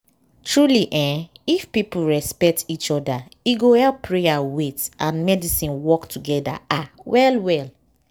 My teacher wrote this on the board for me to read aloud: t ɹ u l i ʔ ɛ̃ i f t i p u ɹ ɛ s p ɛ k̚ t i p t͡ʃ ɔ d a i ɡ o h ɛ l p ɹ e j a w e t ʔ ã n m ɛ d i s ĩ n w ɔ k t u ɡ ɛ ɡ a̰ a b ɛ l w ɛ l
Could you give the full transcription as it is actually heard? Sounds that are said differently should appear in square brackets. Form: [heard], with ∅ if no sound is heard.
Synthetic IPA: t ɹ u l i ʔ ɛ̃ i f [p] i p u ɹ ɛ s p ɛ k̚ t i [∅] t͡ʃ ɔ d a i ɡ o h ɛ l p ɹ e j a w e t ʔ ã n m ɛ d i s ĩ n w ɔ k t u ɡ ɛ [d] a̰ a [w] ɛ l w ɛ l